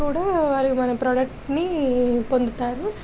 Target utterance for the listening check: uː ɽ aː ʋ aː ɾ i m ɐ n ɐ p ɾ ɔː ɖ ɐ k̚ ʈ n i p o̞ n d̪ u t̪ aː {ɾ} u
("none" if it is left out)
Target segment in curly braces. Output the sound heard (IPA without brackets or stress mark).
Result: ɾ